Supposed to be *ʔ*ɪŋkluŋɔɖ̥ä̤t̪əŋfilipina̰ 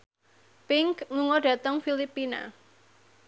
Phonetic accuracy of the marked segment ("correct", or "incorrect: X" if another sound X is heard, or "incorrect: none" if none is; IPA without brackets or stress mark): incorrect: p